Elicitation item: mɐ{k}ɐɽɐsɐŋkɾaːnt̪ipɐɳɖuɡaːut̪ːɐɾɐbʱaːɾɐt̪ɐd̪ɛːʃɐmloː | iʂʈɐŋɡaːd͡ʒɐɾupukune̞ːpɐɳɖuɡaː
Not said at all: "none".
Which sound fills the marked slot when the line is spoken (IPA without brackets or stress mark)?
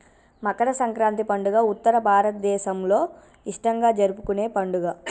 k